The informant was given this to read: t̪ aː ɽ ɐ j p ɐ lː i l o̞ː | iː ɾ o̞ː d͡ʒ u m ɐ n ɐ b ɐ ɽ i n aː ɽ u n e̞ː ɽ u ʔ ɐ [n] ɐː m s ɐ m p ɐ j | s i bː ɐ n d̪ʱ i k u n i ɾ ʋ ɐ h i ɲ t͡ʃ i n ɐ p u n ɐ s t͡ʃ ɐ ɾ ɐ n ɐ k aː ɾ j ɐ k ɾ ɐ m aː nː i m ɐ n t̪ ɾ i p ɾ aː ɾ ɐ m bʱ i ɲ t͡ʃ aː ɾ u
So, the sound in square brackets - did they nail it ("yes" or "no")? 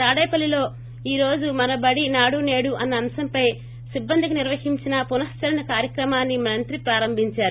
no